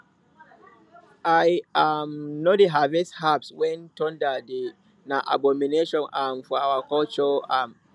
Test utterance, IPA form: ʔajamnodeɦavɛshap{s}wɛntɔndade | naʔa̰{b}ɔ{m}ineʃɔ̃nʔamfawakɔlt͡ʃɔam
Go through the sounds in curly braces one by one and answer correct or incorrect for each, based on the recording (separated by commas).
correct, correct, correct